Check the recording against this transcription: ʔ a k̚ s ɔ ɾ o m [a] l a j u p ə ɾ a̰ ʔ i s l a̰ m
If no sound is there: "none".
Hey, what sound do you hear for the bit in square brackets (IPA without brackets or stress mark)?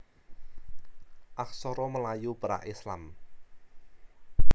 ə